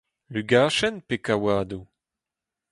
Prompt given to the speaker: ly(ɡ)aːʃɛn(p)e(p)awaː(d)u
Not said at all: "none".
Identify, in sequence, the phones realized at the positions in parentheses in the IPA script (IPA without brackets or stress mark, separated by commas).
ɡ, p, k, d